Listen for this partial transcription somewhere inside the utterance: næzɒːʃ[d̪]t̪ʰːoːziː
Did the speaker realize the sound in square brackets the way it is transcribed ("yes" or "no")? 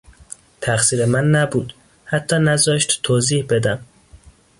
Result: no